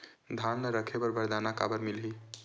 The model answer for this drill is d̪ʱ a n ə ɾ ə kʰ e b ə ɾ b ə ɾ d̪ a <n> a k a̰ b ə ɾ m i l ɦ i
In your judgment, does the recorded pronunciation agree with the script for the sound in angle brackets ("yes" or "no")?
yes